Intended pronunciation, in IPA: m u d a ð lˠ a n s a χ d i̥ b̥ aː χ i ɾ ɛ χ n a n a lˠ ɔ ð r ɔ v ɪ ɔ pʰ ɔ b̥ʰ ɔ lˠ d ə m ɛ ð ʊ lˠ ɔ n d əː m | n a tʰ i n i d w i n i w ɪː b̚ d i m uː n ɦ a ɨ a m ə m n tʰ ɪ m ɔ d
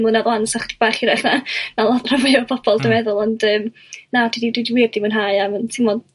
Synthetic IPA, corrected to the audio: m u n a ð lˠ a n s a χ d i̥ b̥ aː χ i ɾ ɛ χ n a n a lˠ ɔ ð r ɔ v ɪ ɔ pʰ ɔ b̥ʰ ɔ lˠ d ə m ɛ ð ʊ lˠ ɔ n d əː m | n a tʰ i d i d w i d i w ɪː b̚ d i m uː n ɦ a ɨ a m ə n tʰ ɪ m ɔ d